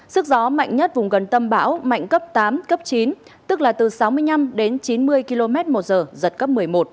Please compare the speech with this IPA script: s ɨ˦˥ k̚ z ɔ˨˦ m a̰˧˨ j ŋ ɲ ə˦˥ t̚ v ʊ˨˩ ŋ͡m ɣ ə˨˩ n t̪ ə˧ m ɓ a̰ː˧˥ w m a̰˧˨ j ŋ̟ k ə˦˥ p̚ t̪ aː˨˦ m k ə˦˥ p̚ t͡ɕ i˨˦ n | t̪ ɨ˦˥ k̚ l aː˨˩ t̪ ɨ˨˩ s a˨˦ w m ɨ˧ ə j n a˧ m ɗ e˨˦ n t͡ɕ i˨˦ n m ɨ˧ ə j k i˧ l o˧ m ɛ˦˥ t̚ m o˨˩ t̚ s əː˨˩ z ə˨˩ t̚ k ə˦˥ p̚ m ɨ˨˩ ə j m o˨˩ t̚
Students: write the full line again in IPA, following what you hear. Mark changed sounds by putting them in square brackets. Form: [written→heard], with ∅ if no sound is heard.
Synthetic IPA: s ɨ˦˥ k̚ z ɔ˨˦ m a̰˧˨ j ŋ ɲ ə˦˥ t̚ v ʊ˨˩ ŋ͡m ɣ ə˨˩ n t̪ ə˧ m ɓ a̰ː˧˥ w m a̰˧˨ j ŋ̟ k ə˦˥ p̚ t̪ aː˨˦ m k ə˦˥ p̚ t͡ɕ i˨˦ n | t̪ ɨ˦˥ k̚ l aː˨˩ t̪ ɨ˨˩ s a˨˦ w m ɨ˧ ə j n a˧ m ɗ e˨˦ n t͡ɕ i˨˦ n m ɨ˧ ə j k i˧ l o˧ m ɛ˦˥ t̚ m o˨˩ t̚ [s→z] əː˨˩ z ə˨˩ t̚ k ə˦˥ p̚ m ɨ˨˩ ə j m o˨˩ t̚